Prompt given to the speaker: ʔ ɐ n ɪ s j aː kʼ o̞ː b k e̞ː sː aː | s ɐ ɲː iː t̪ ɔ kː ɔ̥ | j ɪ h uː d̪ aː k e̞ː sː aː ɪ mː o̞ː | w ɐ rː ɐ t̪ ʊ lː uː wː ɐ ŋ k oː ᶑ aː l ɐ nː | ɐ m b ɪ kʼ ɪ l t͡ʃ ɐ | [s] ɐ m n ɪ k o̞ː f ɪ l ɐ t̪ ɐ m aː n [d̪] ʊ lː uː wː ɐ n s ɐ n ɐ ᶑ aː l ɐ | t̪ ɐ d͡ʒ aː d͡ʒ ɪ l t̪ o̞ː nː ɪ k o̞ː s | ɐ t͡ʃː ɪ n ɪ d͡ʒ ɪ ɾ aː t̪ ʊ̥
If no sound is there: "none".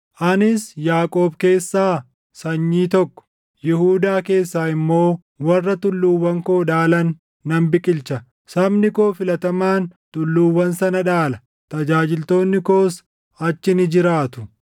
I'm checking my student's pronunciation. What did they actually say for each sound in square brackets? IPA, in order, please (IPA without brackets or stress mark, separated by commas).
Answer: s, t̪